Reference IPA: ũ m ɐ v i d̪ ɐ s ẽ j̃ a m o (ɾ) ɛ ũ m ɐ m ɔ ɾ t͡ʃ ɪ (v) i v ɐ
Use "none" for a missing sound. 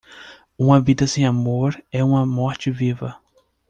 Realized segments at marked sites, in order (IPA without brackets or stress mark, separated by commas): ɾ, v